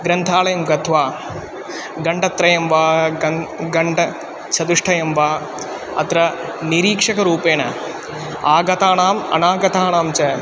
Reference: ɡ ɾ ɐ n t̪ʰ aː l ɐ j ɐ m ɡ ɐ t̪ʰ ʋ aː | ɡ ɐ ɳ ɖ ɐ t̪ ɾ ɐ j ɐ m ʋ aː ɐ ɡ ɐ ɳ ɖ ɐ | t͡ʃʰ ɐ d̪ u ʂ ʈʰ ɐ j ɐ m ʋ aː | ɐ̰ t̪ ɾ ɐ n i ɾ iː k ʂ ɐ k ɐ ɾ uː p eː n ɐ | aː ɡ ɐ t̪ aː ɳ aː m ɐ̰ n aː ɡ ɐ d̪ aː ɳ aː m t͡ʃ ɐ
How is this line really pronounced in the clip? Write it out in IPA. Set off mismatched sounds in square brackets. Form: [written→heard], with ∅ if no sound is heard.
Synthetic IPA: ɡ ɾ ɐ n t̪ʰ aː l ɐ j ɐ m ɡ ɐ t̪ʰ ʋ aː | ɡ ɐ ɳ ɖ ɐ t̪ ɾ ɐ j ɐ m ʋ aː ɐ ɡ ɐ ɳ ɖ ɐ | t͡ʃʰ ɐ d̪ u ʂ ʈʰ ɐ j ɐ m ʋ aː | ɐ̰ t̪ ɾ ɐ n i ɾ iː k ʂ ɐ k ɐ ɾ uː p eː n ɐ | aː ɡ ɐ t̪ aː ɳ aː m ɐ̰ n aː ɡ ɐ [d̪→t̪] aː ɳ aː m t͡ʃ ɐ